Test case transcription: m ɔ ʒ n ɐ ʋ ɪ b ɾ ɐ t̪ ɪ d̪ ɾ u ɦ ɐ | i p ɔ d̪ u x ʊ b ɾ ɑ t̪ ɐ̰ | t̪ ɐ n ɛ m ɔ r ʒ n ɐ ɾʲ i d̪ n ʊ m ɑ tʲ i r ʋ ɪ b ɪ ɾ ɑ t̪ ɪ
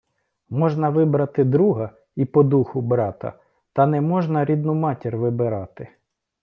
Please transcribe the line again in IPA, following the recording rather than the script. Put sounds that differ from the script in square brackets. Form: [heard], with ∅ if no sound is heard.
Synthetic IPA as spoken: m ɔ ʒ n ɐ ʋ ɪ b ɾ ɐ t̪ ɪ d̪ ɾ u ɦ ɐ | i p ɔ d̪ u x ʊ b ɾ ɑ t̪ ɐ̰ | t̪ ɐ n ɛ m ɔ [∅] ʒ n ɐ ɾʲ i d̪ n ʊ m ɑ tʲ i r ʋ ɪ b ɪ ɾ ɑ t̪ ɪ